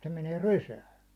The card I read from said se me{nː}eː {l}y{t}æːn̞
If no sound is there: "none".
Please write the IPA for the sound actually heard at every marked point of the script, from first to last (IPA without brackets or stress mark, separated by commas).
n, r, s